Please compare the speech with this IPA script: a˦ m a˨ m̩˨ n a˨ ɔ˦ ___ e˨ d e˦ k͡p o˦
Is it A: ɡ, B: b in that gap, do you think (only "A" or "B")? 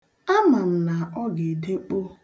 A